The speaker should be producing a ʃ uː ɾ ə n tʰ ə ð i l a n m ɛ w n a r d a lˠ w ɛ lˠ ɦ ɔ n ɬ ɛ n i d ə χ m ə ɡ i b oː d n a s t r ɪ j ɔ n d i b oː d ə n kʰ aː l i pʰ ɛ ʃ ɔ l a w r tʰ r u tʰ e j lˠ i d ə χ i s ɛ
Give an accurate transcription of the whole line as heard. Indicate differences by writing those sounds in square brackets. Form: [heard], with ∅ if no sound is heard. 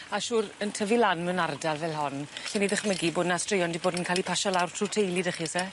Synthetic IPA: a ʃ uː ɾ ə n tʰ ə [v] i l a n m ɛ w n a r d a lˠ [v] ɛ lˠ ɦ ɔ n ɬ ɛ n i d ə χ m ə ɡ i b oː d n a s t r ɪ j ɔ n d i b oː d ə n kʰ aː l i pʰ [a] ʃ ɔ l a w r tʰ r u tʰ e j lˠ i d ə χ i s ɛ